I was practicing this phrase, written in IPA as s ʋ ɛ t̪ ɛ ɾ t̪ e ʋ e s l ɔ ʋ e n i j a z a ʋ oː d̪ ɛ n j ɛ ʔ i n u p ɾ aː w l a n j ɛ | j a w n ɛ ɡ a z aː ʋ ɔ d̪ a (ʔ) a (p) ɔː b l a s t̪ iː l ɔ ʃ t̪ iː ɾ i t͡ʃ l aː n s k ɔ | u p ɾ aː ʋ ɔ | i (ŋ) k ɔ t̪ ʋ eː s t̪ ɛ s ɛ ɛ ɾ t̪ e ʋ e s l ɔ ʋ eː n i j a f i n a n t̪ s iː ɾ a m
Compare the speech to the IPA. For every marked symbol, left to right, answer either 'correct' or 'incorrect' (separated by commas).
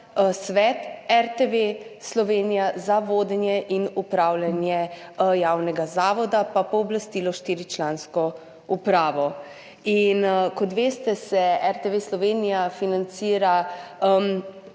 incorrect, correct, incorrect